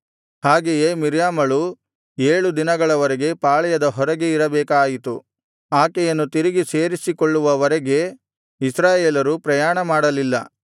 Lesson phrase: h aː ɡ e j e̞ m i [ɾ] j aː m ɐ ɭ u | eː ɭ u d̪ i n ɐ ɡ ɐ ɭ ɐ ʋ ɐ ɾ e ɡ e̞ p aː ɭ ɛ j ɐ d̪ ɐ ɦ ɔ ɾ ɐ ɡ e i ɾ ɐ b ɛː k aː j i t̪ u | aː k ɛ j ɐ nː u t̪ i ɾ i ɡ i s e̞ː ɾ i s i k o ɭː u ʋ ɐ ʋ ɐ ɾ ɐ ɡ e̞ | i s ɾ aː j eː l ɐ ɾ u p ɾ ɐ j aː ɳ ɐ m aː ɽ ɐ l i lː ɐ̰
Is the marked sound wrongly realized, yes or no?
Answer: no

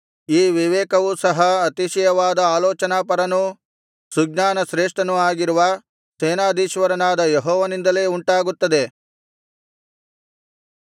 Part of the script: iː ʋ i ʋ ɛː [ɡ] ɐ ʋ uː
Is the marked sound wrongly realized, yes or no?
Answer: yes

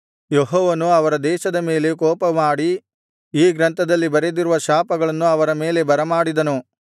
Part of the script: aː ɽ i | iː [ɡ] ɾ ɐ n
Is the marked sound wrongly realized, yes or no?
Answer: no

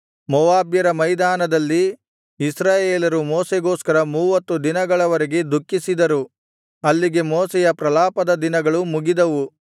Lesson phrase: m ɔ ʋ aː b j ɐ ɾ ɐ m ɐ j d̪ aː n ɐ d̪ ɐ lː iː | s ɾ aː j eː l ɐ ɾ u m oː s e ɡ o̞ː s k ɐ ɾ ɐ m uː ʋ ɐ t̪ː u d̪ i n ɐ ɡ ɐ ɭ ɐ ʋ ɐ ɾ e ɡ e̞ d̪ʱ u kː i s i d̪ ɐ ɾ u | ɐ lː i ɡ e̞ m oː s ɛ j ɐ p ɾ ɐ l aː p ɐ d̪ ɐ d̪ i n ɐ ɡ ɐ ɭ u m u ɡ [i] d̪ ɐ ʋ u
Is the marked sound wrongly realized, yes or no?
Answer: no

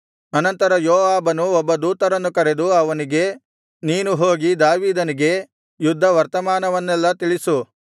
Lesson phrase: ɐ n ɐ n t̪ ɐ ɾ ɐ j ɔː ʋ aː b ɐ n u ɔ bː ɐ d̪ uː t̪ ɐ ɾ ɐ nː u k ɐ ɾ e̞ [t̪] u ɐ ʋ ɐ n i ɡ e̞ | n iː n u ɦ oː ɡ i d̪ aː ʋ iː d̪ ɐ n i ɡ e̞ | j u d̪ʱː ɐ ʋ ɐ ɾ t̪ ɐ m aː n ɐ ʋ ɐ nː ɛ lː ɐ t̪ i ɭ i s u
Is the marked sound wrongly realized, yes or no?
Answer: yes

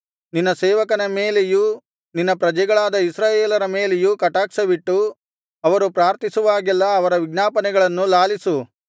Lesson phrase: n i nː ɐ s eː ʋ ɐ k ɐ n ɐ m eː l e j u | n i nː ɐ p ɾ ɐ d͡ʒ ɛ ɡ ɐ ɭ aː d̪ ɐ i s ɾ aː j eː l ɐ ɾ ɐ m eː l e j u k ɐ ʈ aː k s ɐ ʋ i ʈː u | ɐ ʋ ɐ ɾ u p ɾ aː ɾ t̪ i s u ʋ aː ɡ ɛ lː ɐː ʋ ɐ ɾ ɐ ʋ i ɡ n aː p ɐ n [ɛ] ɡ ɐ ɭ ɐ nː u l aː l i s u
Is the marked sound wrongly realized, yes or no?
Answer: no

